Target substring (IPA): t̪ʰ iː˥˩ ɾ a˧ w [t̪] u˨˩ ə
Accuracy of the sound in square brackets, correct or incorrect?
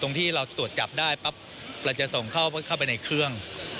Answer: correct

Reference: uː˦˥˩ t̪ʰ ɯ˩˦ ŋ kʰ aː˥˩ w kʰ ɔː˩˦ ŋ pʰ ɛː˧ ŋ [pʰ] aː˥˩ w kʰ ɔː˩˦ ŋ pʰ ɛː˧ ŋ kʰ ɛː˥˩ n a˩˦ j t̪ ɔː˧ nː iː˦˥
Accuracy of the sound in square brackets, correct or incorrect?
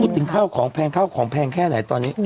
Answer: incorrect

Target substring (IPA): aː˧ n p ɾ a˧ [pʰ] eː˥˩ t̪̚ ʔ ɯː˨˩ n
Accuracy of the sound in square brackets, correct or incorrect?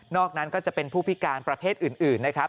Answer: correct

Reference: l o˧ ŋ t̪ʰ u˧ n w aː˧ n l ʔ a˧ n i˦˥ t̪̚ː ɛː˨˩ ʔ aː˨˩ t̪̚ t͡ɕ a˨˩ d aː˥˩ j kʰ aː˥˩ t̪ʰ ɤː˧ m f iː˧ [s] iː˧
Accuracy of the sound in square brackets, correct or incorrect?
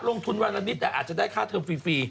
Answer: incorrect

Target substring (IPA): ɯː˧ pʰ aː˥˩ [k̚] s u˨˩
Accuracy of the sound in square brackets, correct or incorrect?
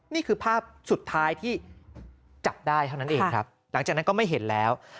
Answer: incorrect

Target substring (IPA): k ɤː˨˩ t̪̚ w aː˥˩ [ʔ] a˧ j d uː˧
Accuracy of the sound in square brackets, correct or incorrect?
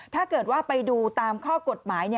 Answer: incorrect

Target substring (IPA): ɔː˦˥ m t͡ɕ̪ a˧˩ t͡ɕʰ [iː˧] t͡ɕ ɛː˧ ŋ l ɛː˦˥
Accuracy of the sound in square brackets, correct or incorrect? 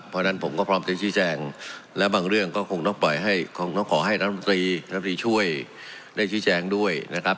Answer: incorrect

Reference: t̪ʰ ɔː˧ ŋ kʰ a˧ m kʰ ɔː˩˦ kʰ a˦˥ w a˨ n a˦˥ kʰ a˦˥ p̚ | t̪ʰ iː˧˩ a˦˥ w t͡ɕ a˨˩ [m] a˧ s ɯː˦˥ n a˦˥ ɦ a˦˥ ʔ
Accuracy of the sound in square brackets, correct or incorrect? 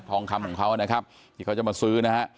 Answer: correct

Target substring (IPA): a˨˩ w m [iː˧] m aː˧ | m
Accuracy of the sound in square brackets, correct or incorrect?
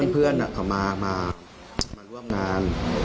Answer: incorrect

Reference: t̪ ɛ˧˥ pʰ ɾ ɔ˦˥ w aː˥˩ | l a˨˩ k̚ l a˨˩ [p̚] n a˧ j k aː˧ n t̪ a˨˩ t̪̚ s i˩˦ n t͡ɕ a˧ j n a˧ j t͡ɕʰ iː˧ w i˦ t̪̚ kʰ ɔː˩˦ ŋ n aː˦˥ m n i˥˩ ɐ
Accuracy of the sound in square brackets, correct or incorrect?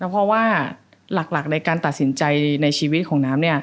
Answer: incorrect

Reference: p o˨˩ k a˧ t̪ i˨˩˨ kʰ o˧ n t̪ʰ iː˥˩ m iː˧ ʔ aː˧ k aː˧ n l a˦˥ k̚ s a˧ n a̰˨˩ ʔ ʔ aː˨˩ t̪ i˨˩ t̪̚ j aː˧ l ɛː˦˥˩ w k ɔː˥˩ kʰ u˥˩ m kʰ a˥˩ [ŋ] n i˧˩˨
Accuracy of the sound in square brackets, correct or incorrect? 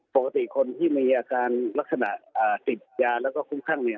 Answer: correct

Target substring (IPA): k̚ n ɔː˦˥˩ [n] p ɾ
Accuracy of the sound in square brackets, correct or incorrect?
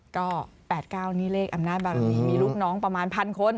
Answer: incorrect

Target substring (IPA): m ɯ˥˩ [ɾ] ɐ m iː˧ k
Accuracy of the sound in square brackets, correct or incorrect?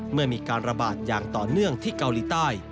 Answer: incorrect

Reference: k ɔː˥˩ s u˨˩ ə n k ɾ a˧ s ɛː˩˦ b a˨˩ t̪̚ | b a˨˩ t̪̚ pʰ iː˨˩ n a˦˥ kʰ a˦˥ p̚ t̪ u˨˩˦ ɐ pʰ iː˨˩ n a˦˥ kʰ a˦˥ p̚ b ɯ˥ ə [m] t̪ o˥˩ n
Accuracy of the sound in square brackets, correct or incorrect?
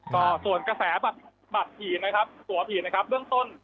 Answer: incorrect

